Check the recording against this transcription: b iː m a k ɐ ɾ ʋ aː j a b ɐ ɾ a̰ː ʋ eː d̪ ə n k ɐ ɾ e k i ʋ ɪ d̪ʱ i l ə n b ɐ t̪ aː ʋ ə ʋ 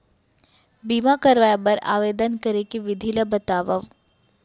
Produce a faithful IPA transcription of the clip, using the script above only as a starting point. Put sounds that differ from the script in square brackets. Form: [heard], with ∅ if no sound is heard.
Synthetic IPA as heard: b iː m a k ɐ ɾ ʋ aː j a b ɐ ɾ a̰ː ʋ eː d̪ ə n k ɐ ɾ e k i ʋ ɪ d̪ʱ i l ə [∅] b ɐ t̪ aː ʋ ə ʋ